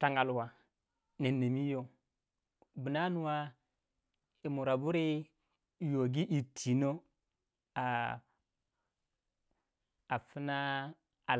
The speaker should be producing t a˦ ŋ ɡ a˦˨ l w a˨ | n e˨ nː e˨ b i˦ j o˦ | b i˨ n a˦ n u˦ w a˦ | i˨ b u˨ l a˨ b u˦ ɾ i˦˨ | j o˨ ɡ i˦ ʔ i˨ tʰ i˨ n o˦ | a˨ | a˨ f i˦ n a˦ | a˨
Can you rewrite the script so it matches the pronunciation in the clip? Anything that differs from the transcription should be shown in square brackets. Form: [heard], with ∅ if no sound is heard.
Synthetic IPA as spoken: t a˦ ŋ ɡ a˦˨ l w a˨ | n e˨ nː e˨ [m] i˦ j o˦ | b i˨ n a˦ n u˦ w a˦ | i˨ [m] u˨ [ɾ] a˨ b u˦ ɾ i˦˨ | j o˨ ɡ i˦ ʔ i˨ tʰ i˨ n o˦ | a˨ | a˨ f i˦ n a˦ | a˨